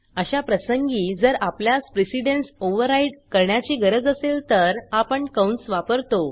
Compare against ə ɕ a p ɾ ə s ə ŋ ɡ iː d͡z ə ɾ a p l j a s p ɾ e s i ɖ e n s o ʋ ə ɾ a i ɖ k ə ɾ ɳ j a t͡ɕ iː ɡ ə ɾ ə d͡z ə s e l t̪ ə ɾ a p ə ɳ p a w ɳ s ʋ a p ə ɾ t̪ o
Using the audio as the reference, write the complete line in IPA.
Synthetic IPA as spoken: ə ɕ a p ɾ ə s ə ŋ ɡ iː d͡z ə ɾ a p l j a s p ɾ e s i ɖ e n s o ʋ ə ɾ a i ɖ k ə ɾ ɳ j a t͡ɕ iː ɡ ə ɾ ə d͡z ə s e l t̪ ə ɾ a p ə ɳ k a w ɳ s ʋ a p ə ɾ t̪ o